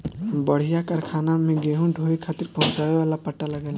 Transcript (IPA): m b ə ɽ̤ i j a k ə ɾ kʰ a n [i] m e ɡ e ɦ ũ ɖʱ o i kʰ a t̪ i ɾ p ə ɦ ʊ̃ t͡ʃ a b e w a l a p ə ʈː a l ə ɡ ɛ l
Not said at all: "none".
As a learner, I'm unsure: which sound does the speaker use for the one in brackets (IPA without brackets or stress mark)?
a